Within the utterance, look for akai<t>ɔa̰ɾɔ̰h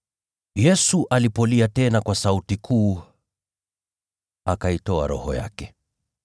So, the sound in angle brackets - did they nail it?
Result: yes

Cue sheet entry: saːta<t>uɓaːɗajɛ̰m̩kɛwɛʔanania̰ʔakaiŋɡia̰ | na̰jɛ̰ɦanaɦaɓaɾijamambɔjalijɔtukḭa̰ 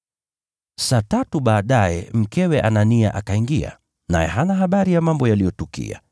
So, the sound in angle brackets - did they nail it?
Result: yes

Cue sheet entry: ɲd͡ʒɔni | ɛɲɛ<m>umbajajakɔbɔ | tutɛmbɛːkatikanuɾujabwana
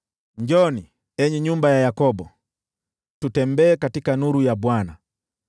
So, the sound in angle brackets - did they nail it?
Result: no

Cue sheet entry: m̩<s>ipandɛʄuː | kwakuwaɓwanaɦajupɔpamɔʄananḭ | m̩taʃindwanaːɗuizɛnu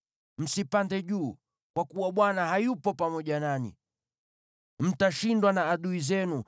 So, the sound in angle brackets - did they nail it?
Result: yes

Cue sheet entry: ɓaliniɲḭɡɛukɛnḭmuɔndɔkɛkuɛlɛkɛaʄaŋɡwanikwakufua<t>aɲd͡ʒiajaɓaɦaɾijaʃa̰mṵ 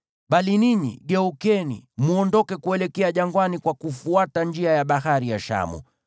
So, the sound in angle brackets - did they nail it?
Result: yes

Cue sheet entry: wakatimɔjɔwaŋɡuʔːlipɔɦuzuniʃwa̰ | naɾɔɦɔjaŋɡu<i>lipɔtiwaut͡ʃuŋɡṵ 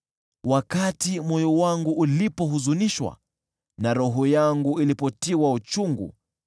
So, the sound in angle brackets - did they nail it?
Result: yes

